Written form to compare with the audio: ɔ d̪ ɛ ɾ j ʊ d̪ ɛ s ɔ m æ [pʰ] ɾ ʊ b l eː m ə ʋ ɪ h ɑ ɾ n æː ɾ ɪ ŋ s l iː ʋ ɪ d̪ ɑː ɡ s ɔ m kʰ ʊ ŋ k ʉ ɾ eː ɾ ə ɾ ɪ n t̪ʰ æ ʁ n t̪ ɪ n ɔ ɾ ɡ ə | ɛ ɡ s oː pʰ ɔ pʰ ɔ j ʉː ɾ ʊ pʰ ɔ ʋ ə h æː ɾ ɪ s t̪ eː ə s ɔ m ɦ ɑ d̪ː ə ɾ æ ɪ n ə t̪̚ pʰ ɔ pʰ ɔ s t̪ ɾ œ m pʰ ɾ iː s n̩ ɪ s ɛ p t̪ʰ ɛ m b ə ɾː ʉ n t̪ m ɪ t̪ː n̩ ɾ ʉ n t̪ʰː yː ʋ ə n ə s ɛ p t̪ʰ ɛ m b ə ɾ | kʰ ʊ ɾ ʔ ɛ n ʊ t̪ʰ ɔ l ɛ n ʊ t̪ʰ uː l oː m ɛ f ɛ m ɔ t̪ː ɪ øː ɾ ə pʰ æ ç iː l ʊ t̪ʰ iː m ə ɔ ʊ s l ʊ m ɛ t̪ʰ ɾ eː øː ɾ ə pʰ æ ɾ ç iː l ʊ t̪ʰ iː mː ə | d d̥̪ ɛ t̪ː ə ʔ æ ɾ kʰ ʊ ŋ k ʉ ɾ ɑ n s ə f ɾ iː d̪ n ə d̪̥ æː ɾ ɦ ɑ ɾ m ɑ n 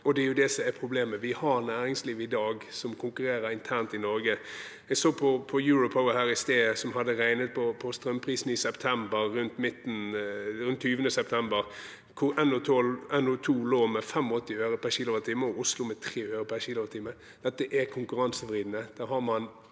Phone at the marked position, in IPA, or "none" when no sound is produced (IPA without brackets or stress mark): pʰ